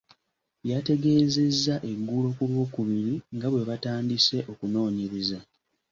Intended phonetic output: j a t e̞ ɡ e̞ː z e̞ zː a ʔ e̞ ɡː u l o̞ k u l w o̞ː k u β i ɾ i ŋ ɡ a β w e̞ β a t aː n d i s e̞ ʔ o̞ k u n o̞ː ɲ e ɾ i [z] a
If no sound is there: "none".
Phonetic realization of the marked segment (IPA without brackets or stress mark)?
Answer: z